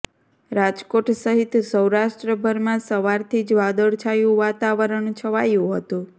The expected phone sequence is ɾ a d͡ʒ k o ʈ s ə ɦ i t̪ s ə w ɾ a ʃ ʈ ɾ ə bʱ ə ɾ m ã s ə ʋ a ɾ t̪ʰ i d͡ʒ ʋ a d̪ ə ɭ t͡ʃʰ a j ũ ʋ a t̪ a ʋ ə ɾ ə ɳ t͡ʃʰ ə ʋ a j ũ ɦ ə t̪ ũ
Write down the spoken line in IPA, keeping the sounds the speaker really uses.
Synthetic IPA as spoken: ɾ a d͡ʒ k o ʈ s ə ɦ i t̪ s ə w ɾ a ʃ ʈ ɾ ə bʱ ə ɾ m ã s ə ʋ a ɾ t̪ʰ i d͡ʒ ʋ a d̪ ə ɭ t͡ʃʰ a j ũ ʋ a t̪ a ʋ ə ɾ ə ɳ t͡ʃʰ ə ʋ a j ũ ɦ ə t̪ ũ